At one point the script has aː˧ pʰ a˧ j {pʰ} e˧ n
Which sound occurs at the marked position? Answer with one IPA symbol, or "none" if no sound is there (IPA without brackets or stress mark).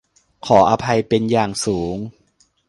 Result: p